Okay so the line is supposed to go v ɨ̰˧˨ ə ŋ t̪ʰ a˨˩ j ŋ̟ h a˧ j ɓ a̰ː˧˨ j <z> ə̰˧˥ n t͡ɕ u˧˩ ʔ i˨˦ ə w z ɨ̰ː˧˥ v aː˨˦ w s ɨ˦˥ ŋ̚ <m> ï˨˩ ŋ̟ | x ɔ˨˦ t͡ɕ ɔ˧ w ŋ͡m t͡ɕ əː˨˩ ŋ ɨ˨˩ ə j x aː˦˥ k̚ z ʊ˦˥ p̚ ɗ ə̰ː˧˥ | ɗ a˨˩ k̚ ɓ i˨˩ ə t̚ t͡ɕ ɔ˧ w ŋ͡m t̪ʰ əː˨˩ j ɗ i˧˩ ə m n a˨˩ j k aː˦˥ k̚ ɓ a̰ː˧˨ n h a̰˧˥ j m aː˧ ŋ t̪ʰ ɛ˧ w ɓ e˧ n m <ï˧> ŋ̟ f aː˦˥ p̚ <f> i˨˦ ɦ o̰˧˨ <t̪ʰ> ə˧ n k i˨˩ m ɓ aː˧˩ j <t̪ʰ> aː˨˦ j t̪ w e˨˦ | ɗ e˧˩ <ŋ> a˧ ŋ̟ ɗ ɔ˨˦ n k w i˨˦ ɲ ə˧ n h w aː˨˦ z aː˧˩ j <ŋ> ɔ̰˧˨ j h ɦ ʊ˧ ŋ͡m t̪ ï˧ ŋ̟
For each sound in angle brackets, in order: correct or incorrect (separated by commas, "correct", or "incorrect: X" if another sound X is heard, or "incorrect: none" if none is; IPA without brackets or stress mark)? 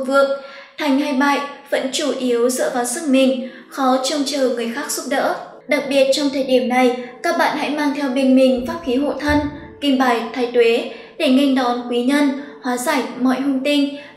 incorrect: v, correct, incorrect: ï˨˩, incorrect: x, correct, correct, correct, incorrect: m